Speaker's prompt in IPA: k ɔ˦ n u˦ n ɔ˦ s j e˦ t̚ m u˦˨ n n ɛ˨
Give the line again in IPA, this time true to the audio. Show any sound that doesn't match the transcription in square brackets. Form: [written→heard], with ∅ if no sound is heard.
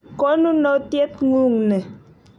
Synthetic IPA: k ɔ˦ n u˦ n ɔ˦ [s→t] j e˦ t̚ [m→ŋ] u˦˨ [n→ŋ] n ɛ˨